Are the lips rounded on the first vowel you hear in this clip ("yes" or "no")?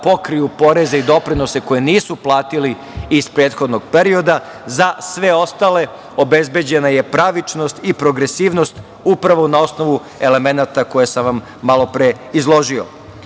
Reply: yes